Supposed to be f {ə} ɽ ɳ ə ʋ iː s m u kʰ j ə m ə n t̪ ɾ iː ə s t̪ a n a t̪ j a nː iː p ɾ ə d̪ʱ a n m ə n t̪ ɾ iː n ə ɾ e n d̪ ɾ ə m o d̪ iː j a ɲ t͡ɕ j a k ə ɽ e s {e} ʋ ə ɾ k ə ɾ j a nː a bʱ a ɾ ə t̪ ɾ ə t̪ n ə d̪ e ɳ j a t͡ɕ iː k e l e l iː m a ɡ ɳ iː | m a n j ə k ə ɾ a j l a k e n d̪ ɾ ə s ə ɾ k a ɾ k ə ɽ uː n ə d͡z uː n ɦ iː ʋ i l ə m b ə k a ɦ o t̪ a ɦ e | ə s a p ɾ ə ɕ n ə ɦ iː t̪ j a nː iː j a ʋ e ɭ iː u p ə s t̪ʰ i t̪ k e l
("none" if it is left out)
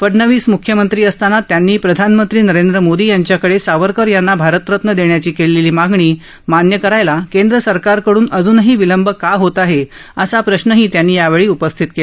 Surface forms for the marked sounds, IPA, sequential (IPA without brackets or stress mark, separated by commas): ə, a